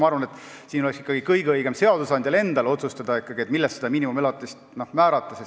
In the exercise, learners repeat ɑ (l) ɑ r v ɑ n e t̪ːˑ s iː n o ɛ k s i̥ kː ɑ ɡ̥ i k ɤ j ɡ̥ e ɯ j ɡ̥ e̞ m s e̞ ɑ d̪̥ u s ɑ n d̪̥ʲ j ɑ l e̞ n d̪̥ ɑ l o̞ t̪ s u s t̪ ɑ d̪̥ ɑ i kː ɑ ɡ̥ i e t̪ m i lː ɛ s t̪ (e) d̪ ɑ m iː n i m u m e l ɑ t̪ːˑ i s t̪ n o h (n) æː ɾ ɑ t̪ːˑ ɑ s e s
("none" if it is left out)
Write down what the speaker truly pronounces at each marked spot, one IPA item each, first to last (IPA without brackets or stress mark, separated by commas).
none, e, m